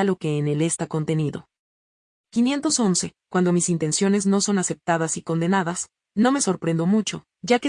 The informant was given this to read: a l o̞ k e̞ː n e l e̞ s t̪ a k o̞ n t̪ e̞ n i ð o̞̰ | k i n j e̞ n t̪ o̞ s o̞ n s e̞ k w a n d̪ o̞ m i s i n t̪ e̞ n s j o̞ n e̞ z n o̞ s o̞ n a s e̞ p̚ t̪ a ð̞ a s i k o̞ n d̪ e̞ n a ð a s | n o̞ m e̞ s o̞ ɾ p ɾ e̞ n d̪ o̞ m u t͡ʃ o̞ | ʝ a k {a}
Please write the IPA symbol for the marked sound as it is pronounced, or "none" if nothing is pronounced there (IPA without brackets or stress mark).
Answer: e